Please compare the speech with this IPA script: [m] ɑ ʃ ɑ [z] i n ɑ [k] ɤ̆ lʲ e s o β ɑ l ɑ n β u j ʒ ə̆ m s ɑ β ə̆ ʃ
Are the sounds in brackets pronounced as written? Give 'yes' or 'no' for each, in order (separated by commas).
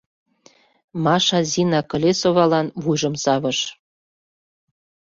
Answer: yes, yes, yes